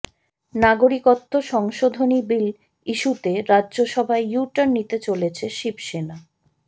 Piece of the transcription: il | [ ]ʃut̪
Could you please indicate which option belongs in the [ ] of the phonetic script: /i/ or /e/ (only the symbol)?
i